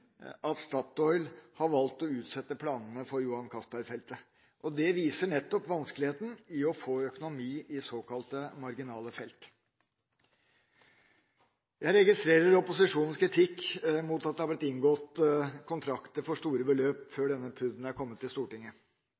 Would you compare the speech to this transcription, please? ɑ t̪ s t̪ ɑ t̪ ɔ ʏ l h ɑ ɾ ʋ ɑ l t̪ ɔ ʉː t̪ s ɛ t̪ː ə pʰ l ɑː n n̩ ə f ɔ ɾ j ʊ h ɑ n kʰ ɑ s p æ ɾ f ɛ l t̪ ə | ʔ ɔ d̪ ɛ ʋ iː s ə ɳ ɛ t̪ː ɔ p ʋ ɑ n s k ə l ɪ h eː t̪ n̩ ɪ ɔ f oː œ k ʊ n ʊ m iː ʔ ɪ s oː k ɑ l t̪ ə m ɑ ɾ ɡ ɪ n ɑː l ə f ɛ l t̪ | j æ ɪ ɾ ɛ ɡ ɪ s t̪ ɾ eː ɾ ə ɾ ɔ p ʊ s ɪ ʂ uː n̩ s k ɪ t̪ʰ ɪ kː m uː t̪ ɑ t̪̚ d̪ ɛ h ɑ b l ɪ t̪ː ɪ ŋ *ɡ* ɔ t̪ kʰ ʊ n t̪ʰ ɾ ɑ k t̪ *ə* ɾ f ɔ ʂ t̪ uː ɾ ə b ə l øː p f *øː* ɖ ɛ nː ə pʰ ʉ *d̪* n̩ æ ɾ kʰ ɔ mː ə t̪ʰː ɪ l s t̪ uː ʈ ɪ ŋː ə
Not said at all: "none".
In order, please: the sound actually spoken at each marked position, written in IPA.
ɡ, ə, øː, d̪

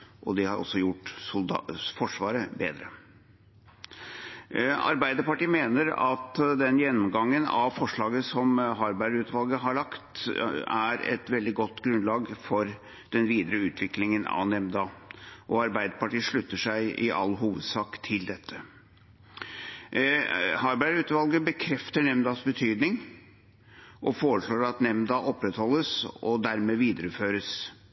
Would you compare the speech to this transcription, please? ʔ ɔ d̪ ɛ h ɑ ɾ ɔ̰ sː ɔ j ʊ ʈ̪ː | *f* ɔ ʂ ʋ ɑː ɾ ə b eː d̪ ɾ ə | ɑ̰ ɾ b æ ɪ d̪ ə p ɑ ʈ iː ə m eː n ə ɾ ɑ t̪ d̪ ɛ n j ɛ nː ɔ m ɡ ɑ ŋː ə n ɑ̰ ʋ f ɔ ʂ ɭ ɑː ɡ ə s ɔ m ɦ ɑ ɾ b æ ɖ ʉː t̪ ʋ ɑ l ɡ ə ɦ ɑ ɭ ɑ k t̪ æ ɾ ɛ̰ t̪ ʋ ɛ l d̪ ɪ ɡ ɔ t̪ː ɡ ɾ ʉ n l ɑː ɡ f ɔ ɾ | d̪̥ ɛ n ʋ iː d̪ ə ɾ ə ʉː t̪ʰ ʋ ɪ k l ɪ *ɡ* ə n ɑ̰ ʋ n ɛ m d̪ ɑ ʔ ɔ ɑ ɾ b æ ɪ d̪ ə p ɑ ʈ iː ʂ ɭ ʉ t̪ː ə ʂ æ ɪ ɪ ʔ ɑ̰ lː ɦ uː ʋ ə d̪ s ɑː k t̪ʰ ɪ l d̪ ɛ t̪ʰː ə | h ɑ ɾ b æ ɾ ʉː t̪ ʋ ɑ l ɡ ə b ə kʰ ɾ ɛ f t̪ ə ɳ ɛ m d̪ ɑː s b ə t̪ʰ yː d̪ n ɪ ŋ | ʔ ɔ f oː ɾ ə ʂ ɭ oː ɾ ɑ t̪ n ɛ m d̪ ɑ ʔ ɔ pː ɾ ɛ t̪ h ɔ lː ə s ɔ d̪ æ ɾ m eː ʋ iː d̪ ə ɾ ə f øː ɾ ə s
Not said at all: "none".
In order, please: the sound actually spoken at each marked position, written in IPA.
f, ŋ

